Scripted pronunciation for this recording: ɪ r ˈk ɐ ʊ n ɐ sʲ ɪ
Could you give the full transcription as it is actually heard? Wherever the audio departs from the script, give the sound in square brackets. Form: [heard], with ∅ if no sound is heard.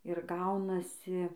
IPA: ɪ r [ˈɡ] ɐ ʊ n ɐ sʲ ɪ